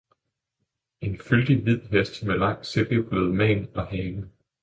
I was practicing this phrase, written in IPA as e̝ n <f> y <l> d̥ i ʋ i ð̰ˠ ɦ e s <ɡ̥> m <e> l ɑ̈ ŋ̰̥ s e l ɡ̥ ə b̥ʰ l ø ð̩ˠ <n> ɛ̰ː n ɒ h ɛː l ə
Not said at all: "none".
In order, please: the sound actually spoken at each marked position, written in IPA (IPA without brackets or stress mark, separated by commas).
f, l, d̥, e, m